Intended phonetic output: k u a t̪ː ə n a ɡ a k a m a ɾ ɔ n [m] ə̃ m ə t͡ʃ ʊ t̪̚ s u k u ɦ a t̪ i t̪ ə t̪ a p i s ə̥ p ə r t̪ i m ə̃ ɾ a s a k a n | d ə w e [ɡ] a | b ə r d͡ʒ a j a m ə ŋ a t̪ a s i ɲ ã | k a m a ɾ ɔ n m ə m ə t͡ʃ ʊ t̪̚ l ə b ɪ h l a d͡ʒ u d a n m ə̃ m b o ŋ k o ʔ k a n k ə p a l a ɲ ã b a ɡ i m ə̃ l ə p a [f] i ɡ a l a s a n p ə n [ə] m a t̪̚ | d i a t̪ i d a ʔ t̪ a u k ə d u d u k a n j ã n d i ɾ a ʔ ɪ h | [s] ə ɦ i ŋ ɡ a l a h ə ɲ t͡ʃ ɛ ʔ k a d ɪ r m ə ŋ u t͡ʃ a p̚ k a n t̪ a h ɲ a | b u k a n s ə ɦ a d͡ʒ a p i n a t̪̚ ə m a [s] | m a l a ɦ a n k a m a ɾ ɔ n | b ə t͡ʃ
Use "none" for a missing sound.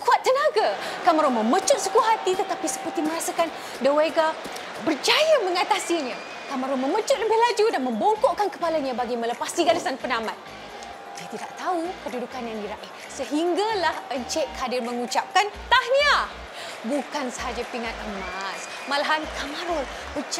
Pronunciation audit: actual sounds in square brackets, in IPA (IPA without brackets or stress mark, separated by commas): m, ɡ, s, a, s, s